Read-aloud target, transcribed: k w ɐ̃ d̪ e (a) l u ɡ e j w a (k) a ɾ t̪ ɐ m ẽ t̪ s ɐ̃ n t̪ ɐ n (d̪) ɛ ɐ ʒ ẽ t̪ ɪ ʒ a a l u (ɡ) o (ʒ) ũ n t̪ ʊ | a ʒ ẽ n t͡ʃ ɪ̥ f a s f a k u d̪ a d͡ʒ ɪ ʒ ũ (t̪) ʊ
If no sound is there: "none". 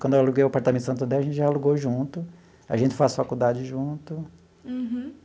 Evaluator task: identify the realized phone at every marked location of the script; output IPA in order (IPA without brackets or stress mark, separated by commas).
a, p, d̪, ɡ, ʒ, t̪